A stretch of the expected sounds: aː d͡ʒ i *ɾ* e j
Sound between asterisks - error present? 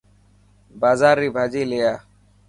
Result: yes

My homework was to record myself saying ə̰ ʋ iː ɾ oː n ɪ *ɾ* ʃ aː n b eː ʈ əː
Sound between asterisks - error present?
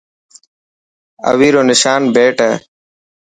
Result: yes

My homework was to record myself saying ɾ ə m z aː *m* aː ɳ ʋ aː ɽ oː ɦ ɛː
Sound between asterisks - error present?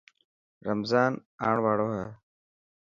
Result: yes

